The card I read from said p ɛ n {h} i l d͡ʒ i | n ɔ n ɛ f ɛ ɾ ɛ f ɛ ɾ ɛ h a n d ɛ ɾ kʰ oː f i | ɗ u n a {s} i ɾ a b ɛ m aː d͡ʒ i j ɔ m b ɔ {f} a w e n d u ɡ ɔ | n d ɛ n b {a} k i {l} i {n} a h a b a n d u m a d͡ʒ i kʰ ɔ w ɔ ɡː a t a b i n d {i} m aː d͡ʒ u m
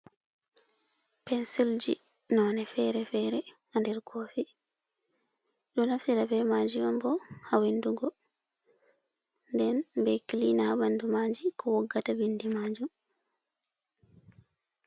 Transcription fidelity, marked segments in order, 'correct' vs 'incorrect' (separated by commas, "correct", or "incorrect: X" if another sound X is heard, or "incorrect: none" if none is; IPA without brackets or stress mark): incorrect: s, incorrect: f, incorrect: h, incorrect: ɛ, correct, correct, correct